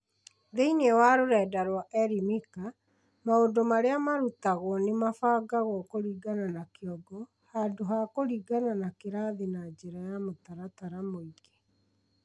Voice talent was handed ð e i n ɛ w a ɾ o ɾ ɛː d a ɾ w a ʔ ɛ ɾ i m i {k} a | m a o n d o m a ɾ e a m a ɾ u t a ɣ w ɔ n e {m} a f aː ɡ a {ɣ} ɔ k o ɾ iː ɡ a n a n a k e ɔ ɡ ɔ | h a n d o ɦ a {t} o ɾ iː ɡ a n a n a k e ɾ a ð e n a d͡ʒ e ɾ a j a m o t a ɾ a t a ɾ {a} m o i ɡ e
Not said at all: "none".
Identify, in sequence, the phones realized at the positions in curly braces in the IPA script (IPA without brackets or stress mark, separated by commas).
k, m, ɣ, k, a